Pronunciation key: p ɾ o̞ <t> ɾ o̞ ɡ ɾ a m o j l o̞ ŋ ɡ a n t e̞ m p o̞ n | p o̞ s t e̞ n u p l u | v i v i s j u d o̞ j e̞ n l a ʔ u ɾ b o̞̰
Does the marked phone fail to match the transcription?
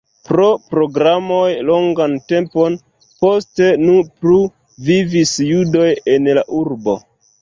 yes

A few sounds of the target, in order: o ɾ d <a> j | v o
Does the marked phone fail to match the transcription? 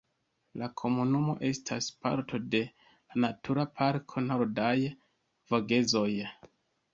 no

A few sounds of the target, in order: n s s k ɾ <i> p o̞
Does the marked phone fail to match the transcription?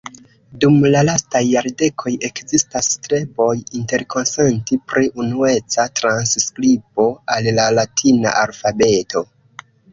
no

